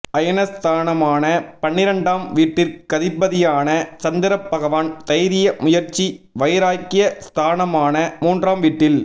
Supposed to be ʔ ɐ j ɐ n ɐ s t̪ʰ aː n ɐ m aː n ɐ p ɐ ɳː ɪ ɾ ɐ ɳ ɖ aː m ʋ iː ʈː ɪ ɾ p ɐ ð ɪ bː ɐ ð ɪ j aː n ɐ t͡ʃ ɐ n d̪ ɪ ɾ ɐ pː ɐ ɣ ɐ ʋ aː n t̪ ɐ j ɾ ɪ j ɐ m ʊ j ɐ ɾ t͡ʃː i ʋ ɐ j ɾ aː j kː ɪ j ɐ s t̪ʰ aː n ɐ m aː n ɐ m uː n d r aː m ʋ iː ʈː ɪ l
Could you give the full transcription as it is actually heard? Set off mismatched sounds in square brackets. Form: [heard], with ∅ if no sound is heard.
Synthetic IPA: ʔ ɐ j ɐ n ɐ s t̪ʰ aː n ɐ m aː n ɐ p ɐ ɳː ɪ ɾ ɐ ɳ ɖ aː m ʋ iː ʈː ɪ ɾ [k] ɐ ð ɪ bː ɐ ð ɪ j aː n ɐ t͡ʃ ɐ n d̪ ɪ ɾ ɐ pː ɐ ɣ ɐ ʋ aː n t̪ ɐ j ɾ ɪ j ɐ m ʊ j ɐ ɾ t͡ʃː i ʋ ɐ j ɾ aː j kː ɪ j ɐ s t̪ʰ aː n ɐ m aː n ɐ m uː n d r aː m ʋ iː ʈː ɪ l

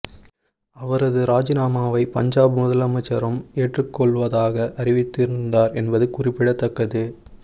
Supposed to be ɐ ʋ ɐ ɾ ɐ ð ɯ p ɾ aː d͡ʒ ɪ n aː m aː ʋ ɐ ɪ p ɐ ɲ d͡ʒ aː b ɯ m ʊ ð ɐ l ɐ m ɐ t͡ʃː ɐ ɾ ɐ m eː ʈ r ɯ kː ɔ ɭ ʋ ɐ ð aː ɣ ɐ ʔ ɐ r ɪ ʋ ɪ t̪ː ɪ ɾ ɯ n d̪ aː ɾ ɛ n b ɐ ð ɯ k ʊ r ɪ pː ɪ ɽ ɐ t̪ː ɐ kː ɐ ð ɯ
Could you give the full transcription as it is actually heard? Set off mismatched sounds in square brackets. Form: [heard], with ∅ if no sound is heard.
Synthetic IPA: ɐ ʋ ɐ ɾ ɐ ð ɯ [∅] ɾ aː d͡ʒ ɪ n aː m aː ʋ ɐ ɪ p ɐ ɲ d͡ʒ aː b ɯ m ʊ ð ɐ l ɐ m ɐ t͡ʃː ɐ ɾ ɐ m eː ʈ r ɯ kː ɔ ɭ ʋ ɐ ð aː ɣ ɐ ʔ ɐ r ɪ ʋ ɪ t̪ː ɪ ɾ ɯ n d̪ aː ɾ ɛ n b ɐ ð ɯ k ʊ r ɪ pː ɪ ɽ ɐ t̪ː ɐ kː ɐ ð ɯ

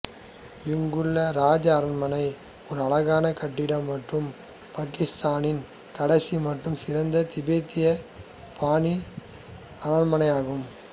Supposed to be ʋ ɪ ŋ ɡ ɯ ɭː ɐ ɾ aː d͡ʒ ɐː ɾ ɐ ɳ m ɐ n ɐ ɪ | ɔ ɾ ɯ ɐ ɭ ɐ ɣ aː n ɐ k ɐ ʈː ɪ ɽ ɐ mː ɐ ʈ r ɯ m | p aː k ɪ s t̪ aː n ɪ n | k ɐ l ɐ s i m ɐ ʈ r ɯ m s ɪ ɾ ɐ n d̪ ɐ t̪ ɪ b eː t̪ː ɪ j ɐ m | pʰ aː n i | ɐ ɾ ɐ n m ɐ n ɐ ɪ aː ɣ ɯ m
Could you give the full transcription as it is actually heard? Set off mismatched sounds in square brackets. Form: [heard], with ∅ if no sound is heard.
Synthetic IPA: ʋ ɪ ŋ ɡ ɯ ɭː ɐ ɾ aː d͡ʒ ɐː ɾ ɐ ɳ m ɐ n ɐ ɪ | ɔ ɾ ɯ ɐ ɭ ɐ ɣ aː n ɐ k ɐ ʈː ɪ ɽ ɐ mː ɐ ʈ r ɯ m | p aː k ɪ s t̪ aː n ɪ n | k ɐ [ɽ] ɐ s i m ɐ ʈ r ɯ m s ɪ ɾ ɐ n d̪ ɐ t̪ ɪ b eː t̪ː ɪ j ɐ [∅] | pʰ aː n i | ɐ ɾ ɐ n m ɐ n ɐ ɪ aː ɣ ɯ m

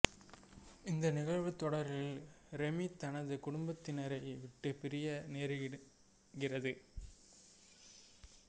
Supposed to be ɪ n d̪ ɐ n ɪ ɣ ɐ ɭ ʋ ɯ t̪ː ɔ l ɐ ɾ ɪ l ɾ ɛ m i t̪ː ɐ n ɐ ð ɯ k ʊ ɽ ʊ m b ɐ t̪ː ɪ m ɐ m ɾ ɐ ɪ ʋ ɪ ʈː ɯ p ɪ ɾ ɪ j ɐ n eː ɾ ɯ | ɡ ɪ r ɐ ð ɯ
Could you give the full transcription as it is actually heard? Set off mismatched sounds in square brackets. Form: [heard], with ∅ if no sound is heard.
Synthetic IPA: ɪ n d̪ ɐ n ɪ ɣ ɐ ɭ ʋ ɯ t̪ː ɔ [ɽ] ɐ ɾ ɪ l ɾ ɛ m i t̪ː ɐ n ɐ ð ɯ k ʊ ɽ ʊ m b ɐ t̪ː ɪ [n] ɐ [∅] ɾ ɐ ɪ ʋ ɪ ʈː ɯ p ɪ ɾ ɪ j ɐ n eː ɾ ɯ | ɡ ɪ r ɐ ð ɯ

